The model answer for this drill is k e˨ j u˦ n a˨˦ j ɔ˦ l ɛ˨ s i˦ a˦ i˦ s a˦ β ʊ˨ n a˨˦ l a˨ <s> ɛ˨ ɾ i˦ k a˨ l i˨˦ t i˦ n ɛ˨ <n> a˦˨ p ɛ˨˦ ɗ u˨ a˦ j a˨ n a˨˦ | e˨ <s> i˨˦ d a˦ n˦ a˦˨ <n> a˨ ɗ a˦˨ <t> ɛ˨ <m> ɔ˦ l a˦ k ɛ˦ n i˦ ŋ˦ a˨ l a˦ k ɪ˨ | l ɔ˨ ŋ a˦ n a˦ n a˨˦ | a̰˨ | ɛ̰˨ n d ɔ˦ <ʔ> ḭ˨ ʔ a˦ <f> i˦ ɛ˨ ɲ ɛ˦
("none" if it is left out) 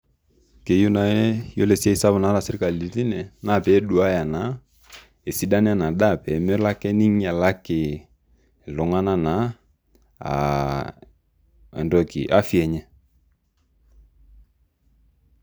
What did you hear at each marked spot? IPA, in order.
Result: s, n, s, n, p, m, k, f

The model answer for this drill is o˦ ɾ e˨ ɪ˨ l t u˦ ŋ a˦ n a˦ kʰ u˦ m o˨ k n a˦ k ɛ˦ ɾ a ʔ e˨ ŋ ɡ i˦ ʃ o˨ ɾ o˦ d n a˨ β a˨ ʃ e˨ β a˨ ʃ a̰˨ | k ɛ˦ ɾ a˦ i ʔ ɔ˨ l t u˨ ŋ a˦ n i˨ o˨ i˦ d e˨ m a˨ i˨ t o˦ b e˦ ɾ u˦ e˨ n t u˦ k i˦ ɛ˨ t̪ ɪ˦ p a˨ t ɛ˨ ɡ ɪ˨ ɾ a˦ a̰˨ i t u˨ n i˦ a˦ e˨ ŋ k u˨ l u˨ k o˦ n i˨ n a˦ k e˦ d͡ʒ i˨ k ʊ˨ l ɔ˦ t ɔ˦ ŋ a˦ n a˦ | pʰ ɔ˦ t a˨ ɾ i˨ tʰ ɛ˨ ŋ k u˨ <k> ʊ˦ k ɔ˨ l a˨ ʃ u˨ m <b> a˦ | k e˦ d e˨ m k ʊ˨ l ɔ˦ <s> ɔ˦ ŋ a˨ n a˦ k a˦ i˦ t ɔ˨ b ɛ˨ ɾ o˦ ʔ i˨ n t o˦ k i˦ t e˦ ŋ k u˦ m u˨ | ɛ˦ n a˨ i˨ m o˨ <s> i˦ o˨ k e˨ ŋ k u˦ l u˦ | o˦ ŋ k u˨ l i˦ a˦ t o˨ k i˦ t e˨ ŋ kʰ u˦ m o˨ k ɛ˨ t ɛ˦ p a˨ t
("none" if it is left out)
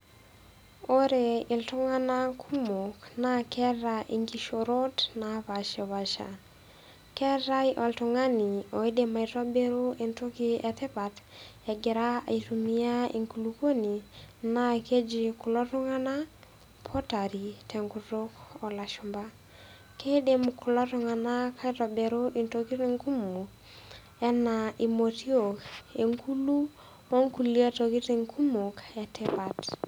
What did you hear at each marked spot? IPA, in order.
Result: t, b, t, t

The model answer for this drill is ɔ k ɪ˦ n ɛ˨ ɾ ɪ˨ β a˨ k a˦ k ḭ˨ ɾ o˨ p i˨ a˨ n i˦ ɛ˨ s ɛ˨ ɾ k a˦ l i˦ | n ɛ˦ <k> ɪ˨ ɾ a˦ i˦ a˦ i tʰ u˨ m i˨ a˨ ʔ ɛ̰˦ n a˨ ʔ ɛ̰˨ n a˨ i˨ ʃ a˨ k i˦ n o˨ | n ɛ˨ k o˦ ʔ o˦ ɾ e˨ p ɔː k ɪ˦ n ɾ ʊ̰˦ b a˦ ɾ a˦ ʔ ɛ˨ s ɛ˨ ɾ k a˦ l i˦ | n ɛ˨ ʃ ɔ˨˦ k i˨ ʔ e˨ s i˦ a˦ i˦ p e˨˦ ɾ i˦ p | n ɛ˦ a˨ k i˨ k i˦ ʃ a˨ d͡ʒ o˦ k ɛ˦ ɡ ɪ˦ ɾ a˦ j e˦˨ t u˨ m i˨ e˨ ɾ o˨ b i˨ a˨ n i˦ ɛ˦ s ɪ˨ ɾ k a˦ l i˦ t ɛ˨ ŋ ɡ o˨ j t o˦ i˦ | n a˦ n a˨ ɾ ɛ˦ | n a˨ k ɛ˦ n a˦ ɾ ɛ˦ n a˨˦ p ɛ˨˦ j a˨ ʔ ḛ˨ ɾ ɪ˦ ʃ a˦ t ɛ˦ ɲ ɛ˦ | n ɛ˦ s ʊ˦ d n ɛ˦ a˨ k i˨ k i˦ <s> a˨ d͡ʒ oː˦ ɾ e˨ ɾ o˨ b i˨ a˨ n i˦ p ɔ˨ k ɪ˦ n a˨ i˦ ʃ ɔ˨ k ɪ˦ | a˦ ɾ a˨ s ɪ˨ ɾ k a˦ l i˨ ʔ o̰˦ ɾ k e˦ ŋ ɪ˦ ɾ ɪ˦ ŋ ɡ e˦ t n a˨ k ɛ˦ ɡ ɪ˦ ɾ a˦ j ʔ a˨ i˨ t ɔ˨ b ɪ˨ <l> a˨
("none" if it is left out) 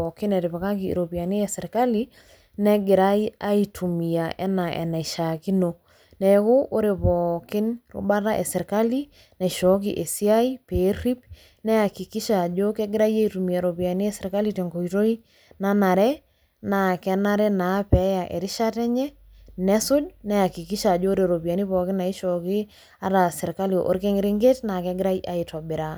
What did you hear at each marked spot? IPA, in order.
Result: ɡ, ʃ, ɾ

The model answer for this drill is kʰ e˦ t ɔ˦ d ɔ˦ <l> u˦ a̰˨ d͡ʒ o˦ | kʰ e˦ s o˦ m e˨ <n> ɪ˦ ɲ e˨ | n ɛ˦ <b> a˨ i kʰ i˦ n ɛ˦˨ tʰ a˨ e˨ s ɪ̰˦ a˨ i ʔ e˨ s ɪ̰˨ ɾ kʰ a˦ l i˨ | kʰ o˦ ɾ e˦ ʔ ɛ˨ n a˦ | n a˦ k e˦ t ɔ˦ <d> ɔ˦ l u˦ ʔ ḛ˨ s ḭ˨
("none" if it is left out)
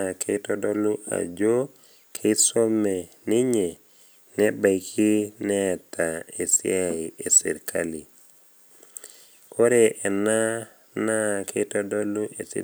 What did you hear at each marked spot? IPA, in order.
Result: l, n, b, d

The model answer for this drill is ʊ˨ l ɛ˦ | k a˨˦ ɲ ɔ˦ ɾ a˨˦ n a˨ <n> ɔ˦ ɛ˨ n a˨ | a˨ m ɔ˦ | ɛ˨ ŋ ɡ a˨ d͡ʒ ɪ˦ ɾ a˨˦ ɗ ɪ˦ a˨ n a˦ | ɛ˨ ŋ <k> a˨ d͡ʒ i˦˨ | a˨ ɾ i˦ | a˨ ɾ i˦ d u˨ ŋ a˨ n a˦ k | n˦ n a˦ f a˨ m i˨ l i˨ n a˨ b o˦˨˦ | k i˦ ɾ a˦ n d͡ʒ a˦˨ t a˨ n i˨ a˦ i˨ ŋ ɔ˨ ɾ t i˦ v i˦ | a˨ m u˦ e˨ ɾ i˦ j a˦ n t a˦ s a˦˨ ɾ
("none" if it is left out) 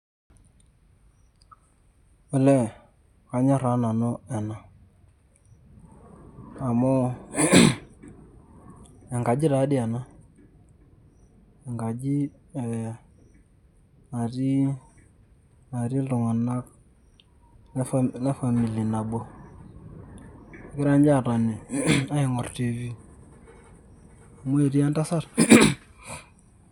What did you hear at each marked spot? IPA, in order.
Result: n, ɡ

